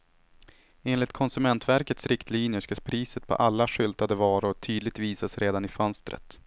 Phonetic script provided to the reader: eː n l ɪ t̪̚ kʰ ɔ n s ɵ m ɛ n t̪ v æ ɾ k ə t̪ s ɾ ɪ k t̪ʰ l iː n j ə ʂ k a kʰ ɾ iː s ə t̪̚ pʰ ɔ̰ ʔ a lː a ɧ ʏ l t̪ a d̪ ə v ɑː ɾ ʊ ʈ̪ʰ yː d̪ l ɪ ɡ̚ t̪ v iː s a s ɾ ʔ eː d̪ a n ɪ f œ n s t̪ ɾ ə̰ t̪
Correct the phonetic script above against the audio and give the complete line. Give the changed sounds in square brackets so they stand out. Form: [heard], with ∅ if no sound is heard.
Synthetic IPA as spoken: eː n l ɪ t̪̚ kʰ ɔ n s ɵ m ɛ n t̪ v æ ɾ k ə t̪ s ɾ ɪ k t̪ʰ l iː n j ə ʂ k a [pʰ] ɾ iː s ə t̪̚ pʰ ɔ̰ ʔ a lː a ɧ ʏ l t̪ a d̪ ə v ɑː ɾ ʊ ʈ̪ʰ yː d̪ l ɪ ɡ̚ t̪ v iː s a s ɾ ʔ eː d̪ a n ɪ f œ n s t̪ ɾ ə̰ t̪